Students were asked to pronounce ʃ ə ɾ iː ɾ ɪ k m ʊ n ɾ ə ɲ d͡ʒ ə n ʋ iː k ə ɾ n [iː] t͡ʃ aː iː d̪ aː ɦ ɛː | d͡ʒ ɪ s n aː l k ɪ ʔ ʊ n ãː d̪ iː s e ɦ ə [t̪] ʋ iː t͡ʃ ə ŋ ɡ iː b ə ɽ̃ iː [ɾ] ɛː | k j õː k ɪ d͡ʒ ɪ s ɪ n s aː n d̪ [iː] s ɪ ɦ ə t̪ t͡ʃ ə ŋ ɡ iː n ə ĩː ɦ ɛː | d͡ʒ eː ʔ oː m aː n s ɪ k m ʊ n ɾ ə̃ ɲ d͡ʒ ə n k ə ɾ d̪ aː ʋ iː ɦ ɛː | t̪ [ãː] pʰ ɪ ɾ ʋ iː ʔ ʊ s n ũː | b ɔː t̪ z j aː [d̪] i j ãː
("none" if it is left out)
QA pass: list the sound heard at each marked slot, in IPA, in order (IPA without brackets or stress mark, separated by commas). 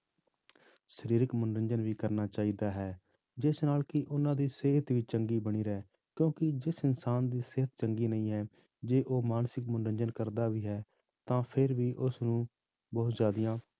aː, t̪, ɾ, iː, ãː, d̪